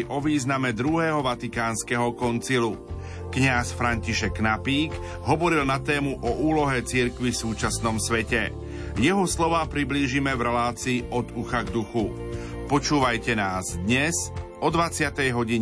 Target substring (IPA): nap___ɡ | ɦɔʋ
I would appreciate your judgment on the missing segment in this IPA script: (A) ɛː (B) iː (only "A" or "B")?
B